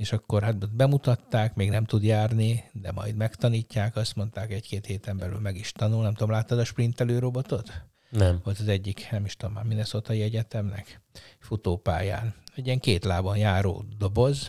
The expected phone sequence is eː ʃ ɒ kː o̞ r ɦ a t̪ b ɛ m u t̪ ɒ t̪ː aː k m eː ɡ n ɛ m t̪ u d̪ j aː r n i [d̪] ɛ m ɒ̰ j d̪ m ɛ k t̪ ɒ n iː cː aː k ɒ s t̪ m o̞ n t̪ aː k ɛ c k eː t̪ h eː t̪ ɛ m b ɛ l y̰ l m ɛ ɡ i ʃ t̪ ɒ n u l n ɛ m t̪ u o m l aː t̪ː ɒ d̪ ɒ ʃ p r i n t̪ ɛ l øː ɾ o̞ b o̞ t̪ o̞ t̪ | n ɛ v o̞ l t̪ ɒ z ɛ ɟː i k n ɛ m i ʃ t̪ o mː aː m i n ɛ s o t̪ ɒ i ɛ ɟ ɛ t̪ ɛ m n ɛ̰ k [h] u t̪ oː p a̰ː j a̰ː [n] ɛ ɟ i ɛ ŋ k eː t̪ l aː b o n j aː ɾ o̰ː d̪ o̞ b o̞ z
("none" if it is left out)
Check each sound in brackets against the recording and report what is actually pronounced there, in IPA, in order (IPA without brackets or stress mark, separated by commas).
d̪, f, n